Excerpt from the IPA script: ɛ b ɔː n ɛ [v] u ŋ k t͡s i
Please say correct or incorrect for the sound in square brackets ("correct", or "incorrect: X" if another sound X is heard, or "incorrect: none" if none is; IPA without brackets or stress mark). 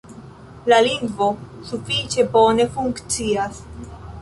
incorrect: f